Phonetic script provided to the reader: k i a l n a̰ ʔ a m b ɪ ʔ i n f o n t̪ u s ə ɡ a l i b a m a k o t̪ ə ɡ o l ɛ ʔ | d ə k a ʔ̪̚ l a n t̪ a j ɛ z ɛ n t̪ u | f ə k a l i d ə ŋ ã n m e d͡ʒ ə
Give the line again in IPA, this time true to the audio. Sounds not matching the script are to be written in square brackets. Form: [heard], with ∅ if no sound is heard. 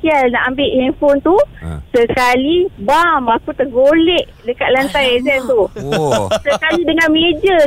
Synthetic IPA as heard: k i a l n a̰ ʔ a m b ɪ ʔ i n f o n t̪ u s ə [k] a l i b a m a k [u] t̪ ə ɡ o l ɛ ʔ | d ə k a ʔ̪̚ l a n t̪ a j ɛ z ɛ n t̪ u | [s] ə k a l i d ə ŋ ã n m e d͡ʒ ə